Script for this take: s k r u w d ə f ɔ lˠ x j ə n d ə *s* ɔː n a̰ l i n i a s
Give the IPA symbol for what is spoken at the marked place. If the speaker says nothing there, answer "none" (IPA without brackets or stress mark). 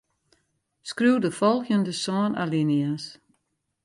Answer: s